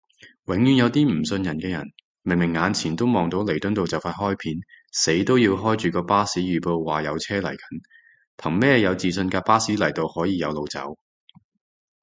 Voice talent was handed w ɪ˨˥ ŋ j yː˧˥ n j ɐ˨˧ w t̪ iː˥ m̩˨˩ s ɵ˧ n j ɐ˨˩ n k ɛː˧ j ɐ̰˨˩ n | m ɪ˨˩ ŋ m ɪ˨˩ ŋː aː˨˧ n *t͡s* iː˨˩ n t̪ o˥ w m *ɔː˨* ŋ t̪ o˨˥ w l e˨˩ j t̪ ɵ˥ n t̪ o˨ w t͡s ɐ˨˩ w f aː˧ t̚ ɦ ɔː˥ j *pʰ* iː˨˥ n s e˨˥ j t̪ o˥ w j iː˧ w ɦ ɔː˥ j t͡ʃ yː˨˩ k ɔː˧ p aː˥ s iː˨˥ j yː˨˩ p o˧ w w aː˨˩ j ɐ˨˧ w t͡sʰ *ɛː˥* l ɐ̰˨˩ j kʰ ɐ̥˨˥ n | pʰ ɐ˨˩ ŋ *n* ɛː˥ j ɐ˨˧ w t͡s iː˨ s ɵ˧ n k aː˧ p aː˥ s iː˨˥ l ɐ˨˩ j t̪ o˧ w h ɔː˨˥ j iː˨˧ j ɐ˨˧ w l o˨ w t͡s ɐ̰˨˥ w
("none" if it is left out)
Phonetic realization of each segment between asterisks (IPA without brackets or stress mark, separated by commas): t͡sʰ, ɔː˨, pʰ, ɛː˥, m